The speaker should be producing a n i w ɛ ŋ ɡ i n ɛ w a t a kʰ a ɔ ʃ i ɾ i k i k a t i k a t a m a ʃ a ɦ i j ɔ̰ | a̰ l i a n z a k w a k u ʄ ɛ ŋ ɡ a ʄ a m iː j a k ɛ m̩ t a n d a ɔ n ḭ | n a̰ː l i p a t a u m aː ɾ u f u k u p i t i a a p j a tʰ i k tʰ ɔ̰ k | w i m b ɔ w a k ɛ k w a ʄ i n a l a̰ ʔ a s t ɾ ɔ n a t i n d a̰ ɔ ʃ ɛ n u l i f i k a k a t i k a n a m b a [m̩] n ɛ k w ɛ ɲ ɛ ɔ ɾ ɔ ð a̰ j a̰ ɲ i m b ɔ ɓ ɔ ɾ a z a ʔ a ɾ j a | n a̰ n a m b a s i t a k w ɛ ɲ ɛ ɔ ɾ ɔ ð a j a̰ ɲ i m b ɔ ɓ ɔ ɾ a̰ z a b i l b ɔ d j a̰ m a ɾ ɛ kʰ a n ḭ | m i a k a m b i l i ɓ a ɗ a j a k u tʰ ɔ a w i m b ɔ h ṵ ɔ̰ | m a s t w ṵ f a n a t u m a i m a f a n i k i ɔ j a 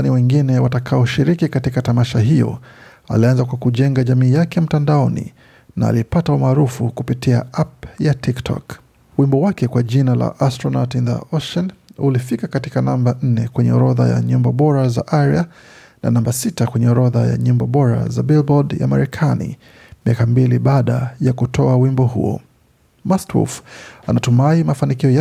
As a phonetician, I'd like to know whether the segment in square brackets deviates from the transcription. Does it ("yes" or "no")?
yes